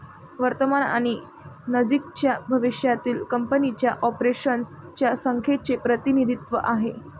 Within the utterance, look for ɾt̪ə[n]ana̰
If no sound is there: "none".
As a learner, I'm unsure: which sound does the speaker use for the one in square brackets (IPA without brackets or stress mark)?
m